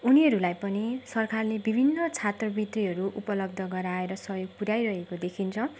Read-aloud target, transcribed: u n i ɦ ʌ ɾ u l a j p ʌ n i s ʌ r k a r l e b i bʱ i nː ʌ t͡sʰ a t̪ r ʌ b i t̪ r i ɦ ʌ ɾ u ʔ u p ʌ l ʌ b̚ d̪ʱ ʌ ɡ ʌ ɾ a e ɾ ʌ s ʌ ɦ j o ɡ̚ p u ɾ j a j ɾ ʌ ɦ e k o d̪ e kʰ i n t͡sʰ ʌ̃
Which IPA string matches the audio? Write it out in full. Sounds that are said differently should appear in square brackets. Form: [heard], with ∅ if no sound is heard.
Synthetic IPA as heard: u n i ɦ ʌ ɾ u l a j p ʌ n i s ʌ r k a r l e b i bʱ i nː ʌ t͡sʰ a t̪ r ʌ b i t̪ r i ɦ ʌ ɾ u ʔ u p ʌ l ʌ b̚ d̪ʱ ʌ ɡ ʌ ɾ a e ɾ ʌ s ʌ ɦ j o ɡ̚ p u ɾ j a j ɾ ʌ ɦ e k o d̪ e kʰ i n t͡sʰ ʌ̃

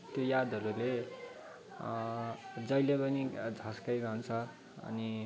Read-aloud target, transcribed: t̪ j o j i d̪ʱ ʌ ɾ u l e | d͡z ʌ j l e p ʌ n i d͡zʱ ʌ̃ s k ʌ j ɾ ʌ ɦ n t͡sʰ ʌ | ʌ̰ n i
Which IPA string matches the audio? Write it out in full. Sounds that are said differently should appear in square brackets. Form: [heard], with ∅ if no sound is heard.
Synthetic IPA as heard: t̪ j o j [a] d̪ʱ ʌ ɾ u l e | d͡z ʌ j l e p ʌ n i d͡zʱ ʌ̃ s k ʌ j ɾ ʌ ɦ n t͡sʰ ʌ | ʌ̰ n i

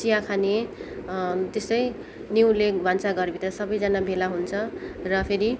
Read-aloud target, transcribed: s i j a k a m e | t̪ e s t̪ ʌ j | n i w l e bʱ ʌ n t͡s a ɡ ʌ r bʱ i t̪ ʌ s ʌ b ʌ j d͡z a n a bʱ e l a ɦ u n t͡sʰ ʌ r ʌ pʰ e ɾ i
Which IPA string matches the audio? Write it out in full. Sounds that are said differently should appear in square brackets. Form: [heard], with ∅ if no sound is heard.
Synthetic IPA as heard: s i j a [kʰ] a [n] e | t̪ e s t̪ ʌ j | n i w l e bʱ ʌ n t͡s a ɡ ʌ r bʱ i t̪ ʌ s ʌ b ʌ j d͡z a n a bʱ e l a ɦ u n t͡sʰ ʌ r ʌ pʰ e ɾ i

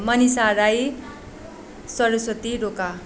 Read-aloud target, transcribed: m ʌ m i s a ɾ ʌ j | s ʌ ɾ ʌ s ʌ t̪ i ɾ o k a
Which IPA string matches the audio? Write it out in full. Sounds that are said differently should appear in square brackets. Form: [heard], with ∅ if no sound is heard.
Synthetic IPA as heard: m ʌ [n] i s a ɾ [a] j | s ʌ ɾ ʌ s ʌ t̪ i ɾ o k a

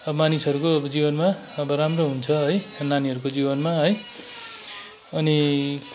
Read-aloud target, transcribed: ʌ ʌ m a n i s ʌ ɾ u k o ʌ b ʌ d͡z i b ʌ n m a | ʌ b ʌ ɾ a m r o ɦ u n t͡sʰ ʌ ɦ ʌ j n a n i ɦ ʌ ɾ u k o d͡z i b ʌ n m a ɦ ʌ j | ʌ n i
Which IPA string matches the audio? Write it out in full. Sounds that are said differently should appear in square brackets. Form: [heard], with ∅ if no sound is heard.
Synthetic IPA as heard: ʌ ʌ m a n i s ʌ ɾ u k o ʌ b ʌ d͡z i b ʌ n m a | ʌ b ʌ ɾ a m r o ɦ u n t͡sʰ ʌ ɦ ʌ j n a n i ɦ ʌ ɾ u k o d͡z i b ʌ n m a ɦ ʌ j | ʌ n i

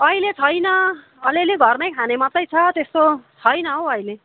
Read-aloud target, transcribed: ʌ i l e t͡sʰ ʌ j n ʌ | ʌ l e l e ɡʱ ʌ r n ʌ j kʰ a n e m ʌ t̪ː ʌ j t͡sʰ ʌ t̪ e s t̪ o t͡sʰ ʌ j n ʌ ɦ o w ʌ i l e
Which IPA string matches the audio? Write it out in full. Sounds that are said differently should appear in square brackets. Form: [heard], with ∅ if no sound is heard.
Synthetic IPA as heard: ʌ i l e t͡sʰ ʌ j n ʌ | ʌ l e l e ɡʱ ʌ r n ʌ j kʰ a n e m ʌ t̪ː ʌ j t͡sʰ ʌ t̪ e s t̪ o t͡sʰ ʌ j n ʌ ɦ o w ʌ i l e

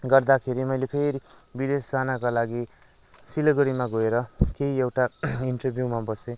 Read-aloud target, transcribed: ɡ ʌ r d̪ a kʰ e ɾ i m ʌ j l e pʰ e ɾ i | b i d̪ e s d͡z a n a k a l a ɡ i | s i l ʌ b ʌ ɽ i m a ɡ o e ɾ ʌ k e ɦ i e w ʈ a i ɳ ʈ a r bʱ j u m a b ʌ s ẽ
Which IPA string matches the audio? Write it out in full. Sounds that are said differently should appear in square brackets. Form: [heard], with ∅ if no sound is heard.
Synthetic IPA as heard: ɡ ʌ r d̪ a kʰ e ɾ i m ʌ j l e pʰ e ɾ i | b i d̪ e s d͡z a n a k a l a ɡ i | s i l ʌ [ɡ] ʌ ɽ i m a ɡ o e ɾ ʌ k e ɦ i e w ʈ a i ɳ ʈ [ʌ] r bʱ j u m a b ʌ s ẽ

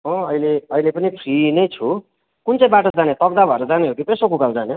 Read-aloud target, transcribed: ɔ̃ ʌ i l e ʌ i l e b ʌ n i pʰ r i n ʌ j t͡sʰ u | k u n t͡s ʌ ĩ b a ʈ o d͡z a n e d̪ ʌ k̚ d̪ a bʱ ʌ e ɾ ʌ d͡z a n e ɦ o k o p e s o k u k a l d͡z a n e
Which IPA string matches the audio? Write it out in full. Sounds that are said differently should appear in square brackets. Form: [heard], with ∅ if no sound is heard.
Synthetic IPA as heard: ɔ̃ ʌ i l e ʌ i l e [p] ʌ n i pʰ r i n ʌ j t͡sʰ u | k u n t͡s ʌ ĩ b a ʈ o d͡z a n e [t̪] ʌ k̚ d̪ a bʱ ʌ e ɾ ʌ d͡z a n e ɦ o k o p e s o k u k a l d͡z a n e

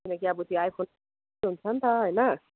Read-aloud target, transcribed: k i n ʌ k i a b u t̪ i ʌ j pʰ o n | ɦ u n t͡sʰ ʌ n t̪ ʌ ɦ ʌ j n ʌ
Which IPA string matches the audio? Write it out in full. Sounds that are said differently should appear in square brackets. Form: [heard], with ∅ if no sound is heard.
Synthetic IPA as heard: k i n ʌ k i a b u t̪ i [a] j pʰ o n | ɦ u n t͡sʰ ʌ n t̪ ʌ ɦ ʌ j n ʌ

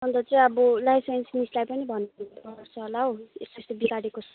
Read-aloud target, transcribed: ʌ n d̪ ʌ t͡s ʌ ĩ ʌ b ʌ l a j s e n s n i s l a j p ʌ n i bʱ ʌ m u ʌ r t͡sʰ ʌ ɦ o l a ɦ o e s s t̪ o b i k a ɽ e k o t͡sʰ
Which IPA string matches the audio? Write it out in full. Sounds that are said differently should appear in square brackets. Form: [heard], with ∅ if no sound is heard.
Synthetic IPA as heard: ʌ n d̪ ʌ t͡s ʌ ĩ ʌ b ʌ l a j s e n s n i s l a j p ʌ n i bʱ ʌ [n] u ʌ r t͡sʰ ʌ ɦ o l a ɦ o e s s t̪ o b i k a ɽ e k o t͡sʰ

